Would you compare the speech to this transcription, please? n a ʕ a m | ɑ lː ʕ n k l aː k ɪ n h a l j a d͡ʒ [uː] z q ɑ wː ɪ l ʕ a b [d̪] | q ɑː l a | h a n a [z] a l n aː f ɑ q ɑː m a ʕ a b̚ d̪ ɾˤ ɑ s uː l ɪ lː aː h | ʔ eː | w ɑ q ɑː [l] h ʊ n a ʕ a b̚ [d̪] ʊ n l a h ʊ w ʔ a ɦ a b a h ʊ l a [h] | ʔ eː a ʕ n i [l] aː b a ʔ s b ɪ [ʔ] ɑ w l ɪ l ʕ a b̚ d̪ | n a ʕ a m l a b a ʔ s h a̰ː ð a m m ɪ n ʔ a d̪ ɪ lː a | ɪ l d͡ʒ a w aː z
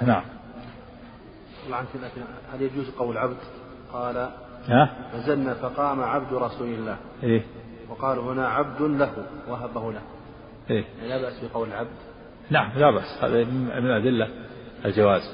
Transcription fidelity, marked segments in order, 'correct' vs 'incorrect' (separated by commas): correct, correct, correct, correct, correct, correct, correct, incorrect